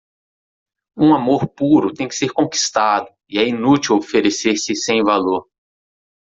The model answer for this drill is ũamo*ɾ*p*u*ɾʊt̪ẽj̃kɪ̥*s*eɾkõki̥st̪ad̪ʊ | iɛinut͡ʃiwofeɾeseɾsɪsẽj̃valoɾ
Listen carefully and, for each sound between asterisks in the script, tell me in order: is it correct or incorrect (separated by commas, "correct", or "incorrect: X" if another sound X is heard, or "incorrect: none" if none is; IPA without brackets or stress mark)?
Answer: correct, correct, correct